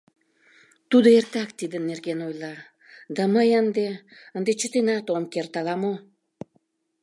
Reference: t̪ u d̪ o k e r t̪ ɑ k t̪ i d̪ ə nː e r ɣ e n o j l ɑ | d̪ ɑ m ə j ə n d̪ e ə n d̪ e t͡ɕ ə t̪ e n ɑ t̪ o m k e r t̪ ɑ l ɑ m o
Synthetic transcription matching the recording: t̪ u d̪ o e r t̪ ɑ k t̪ i d̪ ə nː e r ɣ e n o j l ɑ | d̪ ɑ m ə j ə n d̪ e ə n d̪ e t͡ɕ ə t̪ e n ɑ t̪ o m k e r t̪ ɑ l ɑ m o